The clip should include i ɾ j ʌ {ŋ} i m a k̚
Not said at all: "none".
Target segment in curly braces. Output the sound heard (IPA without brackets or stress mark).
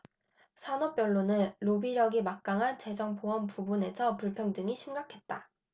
ɡ